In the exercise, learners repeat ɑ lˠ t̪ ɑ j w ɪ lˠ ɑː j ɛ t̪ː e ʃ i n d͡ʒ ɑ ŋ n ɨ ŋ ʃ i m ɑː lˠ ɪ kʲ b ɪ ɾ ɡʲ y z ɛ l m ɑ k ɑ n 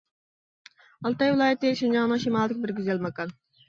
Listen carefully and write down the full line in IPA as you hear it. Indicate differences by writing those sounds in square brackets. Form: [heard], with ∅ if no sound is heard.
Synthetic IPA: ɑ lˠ t̪ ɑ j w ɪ lˠ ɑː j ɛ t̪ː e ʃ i n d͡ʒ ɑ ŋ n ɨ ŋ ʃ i m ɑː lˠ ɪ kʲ b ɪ ɾ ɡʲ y z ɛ l m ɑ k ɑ n